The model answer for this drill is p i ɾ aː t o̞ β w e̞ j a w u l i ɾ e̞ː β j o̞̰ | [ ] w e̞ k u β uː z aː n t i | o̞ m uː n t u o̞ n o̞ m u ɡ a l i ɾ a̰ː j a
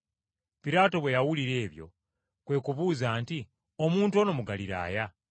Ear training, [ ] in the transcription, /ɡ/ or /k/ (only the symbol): k